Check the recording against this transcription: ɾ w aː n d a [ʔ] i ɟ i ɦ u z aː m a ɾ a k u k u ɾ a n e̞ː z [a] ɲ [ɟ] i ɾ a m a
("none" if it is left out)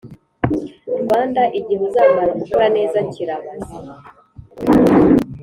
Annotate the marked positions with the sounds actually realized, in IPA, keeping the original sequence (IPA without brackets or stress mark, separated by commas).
ʔ, a, c